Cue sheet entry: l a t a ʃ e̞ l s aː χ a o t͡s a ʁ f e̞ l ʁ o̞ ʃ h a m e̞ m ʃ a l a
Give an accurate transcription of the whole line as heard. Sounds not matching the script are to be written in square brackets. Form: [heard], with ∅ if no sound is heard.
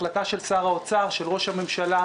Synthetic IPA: l a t a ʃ e̞ l s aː [ʁ] a o t͡s a ʁ [ʃ] e̞ l ʁ o̞ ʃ h a m e̞ m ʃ a l a

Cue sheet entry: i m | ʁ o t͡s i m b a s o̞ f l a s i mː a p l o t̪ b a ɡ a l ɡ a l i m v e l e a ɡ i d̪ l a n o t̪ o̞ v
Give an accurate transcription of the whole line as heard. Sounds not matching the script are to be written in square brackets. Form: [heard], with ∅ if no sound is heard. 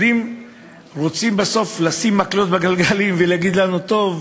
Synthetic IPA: i m | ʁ o t͡s i m b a s o̞ f l a s i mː a [k] l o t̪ b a ɡ a l ɡ a l i m v e l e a ɡ i d̪ l a n [u] t̪ o̞ v

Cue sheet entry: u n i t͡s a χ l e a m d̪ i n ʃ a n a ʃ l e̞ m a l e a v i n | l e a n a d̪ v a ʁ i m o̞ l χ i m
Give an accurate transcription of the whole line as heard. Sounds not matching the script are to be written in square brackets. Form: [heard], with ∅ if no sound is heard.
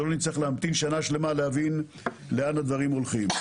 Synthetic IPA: [o] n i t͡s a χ l e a m [t̪] i n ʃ a n a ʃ l e̞ m a l e a v i n | l e a n a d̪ v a ʁ i m o̞ l χ i m

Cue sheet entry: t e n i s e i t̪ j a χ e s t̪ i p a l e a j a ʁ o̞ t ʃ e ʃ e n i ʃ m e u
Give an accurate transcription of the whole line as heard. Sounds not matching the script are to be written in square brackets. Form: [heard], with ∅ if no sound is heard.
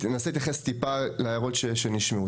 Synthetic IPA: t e n [a] s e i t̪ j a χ e s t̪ i p a l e a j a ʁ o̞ t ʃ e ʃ e n i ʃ m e u

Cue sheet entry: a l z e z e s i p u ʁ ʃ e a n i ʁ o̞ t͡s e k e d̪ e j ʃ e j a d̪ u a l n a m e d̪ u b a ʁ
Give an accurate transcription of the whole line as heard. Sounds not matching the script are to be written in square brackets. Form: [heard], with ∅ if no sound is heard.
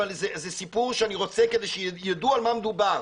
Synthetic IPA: a l z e z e s i p u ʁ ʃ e a n i ʁ o̞ t͡s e k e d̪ e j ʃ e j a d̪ u a l [m] a m e d̪ u b a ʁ

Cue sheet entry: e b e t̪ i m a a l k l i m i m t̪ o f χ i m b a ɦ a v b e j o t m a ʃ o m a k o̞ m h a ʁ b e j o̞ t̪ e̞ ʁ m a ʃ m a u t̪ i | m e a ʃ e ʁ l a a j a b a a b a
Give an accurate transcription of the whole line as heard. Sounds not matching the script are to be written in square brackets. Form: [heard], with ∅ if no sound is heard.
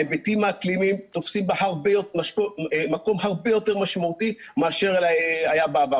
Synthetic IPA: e b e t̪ i m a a [∅] k l i m i m t̪ o f [s] i m b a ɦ a [ʁ] b e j o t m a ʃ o m a k o̞ m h a ʁ b e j o̞ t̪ e̞ ʁ m a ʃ m a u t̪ i | m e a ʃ e ʁ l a a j a b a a b a

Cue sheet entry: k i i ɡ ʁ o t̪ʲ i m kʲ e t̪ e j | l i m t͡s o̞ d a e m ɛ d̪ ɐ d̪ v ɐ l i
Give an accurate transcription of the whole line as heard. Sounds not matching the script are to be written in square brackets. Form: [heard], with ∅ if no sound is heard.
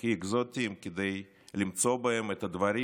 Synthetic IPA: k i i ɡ [z] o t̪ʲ i m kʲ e [d̪] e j | l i m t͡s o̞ [b] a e m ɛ [t̪] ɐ d̪ v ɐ [ɾ] i

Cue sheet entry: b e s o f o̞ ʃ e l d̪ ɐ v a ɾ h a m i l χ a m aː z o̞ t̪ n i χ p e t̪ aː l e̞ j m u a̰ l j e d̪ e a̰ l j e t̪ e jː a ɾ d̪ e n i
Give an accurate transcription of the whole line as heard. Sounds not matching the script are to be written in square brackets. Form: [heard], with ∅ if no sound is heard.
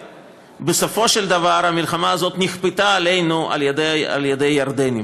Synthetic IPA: b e s o f o̞ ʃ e l d̪ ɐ v a ɾ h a m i l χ a m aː z o̞ t̪ n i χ p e t̪ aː l e̞ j [n] u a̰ l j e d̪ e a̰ l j e [d̪] e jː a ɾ d̪ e n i

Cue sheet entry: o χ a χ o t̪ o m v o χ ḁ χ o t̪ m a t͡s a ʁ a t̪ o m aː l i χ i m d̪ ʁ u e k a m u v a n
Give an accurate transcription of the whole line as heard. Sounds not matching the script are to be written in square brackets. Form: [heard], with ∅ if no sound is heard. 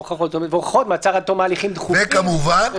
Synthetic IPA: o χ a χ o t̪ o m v o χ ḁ χ o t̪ m a t͡s a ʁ a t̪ o m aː l i χ i m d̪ [χ] u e k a m u v a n

